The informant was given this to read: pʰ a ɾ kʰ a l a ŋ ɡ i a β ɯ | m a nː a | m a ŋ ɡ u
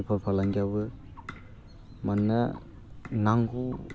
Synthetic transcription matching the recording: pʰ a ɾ pʰ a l a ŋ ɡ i a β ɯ | m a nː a | n a ŋ ɡ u